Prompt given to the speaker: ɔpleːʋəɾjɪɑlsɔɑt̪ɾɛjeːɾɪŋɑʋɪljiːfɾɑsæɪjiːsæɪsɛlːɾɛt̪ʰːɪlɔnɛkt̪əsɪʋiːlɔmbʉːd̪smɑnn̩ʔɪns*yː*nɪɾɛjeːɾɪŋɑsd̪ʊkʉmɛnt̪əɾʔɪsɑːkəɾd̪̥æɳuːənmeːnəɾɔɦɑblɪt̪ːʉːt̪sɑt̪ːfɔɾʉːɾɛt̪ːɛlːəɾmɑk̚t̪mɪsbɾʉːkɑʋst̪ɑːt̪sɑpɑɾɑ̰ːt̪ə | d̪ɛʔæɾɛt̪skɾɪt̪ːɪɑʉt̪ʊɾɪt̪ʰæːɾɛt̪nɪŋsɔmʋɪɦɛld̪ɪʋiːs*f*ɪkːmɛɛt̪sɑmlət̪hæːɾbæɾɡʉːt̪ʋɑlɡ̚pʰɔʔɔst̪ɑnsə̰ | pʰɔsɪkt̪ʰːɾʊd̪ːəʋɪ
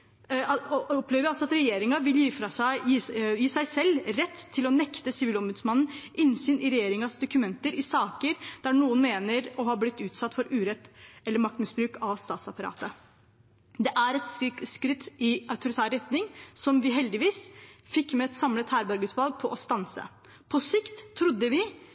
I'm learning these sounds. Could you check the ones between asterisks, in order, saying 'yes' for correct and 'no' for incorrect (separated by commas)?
yes, yes